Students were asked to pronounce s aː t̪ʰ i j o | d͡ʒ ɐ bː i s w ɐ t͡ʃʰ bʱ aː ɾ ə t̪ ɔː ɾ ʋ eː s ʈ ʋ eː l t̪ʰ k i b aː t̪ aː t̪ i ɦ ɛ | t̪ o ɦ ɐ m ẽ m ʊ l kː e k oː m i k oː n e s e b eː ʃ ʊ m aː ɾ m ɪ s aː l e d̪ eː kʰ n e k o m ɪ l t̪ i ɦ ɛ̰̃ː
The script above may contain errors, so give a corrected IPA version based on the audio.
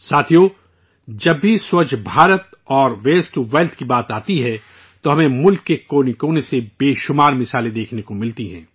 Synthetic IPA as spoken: s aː t̪ʰ i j o | d͡ʒ ɐ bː i s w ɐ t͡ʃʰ bʱ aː ɾ ə t̪ ɔː ɾ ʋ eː s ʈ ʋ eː l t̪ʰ k i b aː t̪ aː t̪ i ɦ ɛ | t̪ o ɦ ɐ m ẽ m ʊ l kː e k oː n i k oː n e s e b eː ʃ ʊ m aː ɾ m ɪ s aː l e d̪ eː kʰ n e k o m ɪ l t̪ i ɦ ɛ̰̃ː